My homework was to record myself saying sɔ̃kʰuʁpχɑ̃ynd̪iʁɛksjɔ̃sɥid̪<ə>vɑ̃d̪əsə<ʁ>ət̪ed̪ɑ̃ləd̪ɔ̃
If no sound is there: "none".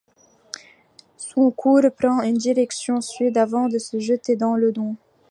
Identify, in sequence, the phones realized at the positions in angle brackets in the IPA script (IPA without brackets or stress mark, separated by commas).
a, ʒ